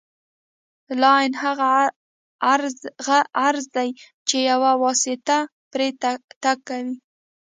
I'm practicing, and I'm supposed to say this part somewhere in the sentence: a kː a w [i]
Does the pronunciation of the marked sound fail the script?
no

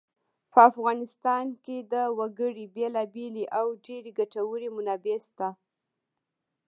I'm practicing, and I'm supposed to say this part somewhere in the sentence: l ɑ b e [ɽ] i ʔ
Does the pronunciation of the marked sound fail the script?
yes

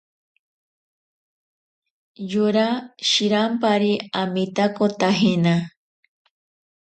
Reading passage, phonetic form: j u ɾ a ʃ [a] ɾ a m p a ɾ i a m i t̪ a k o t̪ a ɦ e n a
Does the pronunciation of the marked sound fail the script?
yes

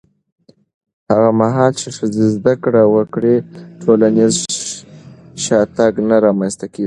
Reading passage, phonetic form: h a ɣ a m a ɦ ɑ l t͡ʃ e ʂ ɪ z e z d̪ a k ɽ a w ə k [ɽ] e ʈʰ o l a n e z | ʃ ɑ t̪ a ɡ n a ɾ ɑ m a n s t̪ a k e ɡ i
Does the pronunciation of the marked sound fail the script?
no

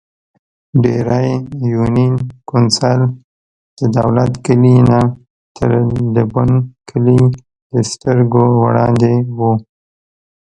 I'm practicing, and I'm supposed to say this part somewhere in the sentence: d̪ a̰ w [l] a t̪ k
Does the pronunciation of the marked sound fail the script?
no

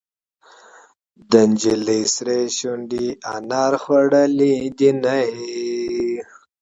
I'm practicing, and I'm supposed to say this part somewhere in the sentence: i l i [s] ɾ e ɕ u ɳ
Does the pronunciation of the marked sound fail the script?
no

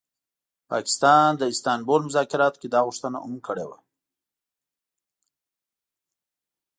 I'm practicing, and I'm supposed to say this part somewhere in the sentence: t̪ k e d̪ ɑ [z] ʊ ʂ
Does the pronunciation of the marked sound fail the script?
yes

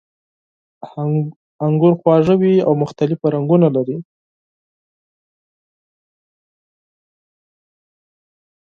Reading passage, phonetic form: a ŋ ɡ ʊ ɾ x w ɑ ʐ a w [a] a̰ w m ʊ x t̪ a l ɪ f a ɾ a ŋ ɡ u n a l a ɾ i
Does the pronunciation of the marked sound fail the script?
yes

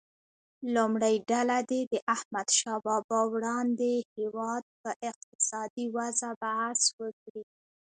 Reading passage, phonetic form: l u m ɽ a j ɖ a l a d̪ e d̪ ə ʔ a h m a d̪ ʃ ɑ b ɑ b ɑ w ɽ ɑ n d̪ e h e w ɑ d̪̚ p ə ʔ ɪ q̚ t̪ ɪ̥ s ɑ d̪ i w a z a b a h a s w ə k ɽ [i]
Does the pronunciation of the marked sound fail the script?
no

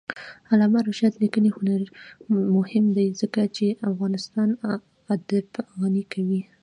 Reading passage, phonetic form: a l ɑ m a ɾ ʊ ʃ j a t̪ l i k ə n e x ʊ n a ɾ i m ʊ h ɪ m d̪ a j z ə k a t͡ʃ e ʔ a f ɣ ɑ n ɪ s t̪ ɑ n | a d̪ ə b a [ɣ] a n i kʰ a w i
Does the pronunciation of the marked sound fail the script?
no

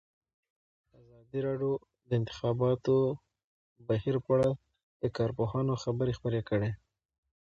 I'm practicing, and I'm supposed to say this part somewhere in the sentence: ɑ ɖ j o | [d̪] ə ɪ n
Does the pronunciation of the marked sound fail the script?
no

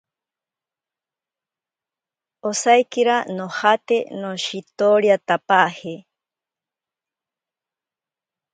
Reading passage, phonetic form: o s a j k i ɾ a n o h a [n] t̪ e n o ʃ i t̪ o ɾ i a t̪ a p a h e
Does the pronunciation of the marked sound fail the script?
yes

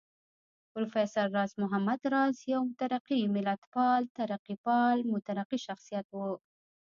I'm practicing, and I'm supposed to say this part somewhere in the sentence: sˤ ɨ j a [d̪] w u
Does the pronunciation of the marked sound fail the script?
yes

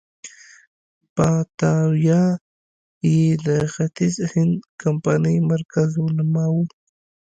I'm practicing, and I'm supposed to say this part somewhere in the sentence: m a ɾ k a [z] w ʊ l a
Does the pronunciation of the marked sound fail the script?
no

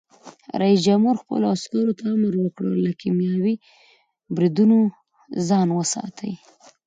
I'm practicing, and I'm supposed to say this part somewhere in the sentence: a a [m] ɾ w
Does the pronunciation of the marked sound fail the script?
no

